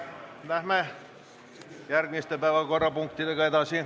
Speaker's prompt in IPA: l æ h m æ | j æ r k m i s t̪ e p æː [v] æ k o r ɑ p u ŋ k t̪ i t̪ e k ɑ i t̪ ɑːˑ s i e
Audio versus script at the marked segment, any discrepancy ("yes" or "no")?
yes